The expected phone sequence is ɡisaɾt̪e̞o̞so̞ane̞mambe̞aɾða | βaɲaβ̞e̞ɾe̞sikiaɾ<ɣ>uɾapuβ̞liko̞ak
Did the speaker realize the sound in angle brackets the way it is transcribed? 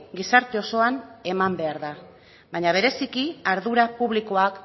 no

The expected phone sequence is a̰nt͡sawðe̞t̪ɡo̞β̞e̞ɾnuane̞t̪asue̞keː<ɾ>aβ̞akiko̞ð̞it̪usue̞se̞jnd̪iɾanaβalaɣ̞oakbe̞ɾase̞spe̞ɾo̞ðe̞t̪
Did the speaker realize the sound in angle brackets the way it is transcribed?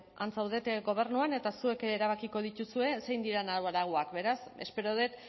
yes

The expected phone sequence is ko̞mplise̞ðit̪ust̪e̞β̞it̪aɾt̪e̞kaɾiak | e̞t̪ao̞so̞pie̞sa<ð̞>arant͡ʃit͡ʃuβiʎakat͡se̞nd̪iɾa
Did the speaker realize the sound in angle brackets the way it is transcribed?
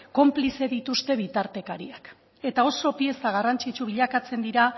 no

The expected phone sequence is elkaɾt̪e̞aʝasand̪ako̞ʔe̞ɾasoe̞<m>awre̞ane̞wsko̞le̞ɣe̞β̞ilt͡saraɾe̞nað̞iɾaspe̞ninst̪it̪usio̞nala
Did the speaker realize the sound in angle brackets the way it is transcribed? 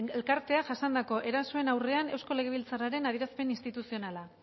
no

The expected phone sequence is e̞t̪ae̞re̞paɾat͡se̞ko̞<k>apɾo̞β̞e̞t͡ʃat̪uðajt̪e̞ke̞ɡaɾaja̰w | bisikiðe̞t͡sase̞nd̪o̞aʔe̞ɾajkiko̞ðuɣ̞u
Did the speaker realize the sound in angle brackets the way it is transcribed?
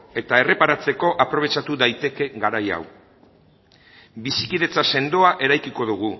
no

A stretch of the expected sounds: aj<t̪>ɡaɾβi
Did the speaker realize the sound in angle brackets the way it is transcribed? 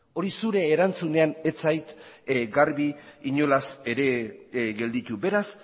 yes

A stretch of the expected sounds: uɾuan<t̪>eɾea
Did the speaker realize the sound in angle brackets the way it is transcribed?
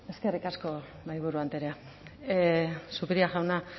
yes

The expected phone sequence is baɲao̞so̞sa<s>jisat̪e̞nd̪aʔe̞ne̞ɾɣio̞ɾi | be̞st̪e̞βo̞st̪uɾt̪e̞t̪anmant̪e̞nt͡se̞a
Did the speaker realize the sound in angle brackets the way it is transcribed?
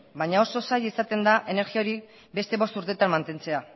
no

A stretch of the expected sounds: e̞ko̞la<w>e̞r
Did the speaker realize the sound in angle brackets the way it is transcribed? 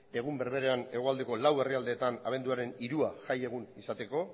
yes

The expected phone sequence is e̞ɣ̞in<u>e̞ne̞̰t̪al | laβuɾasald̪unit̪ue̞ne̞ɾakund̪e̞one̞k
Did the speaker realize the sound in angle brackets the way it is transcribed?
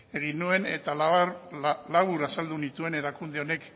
yes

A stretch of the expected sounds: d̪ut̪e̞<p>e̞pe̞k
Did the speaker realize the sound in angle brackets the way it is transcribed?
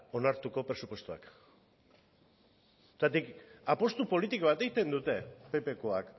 yes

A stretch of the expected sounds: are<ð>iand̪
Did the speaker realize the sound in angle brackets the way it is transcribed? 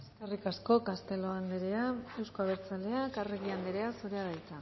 no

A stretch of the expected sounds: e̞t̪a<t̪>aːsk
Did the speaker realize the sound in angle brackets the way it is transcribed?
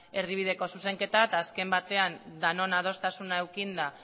yes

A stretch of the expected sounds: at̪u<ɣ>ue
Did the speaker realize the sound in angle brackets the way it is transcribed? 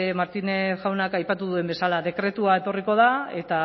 no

